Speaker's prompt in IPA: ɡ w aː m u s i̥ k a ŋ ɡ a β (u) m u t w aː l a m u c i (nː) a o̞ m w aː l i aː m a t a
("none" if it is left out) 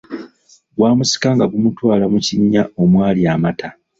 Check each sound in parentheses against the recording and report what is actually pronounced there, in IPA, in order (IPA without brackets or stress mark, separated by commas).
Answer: u, ɲː